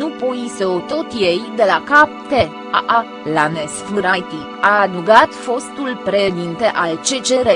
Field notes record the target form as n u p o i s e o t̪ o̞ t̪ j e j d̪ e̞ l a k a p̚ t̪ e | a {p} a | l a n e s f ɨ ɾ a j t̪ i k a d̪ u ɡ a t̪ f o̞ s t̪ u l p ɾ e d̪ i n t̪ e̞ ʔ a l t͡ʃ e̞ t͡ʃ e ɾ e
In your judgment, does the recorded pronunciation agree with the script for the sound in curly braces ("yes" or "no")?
no